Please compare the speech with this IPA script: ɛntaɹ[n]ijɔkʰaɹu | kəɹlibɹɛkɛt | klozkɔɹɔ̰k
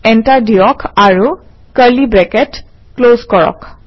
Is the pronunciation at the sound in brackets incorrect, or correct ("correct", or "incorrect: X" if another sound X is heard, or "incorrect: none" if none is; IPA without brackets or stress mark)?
incorrect: d